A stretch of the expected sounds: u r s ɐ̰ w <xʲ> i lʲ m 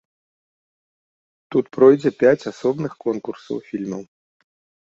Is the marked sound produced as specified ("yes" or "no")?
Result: no